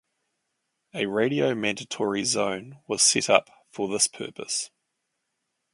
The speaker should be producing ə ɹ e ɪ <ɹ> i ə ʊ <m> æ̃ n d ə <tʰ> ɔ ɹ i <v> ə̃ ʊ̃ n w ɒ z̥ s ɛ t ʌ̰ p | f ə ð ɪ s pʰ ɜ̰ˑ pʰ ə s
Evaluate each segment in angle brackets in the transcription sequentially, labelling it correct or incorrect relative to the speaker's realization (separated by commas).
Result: incorrect, correct, correct, incorrect